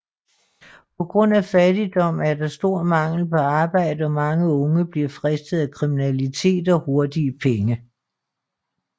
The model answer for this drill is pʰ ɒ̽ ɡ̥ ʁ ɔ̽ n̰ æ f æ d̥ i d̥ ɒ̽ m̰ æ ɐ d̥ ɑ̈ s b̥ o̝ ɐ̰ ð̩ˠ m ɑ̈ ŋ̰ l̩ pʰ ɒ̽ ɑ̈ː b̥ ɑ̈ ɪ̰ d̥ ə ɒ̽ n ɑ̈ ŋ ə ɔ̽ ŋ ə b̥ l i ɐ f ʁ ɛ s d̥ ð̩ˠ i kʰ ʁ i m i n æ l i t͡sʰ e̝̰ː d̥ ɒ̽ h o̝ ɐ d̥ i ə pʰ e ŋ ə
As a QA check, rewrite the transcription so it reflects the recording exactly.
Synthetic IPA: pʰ ɒ̽ ɡ̥ ʁ ɔ̽ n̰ æ f æ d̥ i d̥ ɒ̽ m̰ æ ɐ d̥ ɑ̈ s d̥ o̝ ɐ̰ m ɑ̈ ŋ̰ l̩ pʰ ɒ̽ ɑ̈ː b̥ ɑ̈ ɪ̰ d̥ ə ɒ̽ m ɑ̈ ŋ ə ɔ̽ ŋ ə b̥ l i ɐ f ʁ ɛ s d̥ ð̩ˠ æ kʰ ʁ i m i n æ l i t͡sʰ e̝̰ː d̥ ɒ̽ h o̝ ɐ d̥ i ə pʰ e ŋ ə